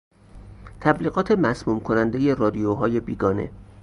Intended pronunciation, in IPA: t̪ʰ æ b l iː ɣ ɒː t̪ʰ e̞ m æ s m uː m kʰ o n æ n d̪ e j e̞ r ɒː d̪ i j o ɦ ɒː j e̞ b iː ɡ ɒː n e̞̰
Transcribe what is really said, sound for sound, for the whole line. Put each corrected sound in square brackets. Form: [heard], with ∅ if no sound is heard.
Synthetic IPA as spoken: t̪ʰ æ b l iː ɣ ɒː t̪ʰ e̞ m æ s m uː m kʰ o n æ n d̪ e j e̞ r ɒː d̪ i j o ɦ ɒː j e̞ b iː ɡ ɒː n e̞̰